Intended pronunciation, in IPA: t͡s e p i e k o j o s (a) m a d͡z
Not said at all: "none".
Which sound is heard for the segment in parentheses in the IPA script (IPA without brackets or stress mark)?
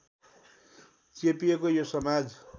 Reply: ʌ